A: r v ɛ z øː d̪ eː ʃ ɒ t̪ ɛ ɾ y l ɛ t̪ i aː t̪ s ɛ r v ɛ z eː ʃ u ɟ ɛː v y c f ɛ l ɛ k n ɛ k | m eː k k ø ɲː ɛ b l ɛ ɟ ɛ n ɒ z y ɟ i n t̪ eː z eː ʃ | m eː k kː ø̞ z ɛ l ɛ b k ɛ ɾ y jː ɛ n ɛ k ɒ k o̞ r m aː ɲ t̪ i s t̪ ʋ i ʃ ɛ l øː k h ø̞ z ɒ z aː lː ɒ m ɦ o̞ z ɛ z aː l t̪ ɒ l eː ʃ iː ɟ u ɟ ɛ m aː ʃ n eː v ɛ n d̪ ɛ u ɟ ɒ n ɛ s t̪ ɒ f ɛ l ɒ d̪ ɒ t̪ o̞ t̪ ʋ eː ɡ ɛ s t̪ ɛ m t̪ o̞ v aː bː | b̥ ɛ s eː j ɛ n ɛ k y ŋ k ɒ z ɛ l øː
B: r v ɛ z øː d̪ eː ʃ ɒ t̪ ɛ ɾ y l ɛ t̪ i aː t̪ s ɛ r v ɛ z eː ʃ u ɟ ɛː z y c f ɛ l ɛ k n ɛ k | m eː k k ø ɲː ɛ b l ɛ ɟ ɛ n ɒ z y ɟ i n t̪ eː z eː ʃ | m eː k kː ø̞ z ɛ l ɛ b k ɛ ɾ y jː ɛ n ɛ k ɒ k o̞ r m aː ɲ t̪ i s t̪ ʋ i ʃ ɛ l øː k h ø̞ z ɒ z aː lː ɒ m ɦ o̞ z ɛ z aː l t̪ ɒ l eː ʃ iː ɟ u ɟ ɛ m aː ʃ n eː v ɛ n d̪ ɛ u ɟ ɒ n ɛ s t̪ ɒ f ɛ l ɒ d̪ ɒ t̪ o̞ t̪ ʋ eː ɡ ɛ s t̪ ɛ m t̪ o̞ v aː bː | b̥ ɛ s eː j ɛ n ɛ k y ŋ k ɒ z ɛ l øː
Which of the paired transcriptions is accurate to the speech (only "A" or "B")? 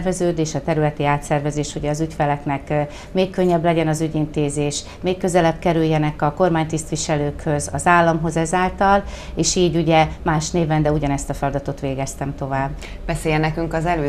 B